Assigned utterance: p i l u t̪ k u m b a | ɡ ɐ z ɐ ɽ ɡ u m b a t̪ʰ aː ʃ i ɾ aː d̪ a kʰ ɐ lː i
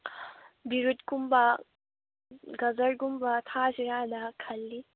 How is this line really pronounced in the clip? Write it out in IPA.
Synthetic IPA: b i ɾ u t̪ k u m b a | ɡ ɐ z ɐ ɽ ɡ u m b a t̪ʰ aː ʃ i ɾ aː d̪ a kʰ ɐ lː i